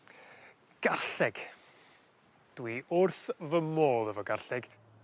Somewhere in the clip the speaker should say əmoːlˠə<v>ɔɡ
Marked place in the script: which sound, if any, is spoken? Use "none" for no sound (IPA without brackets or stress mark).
v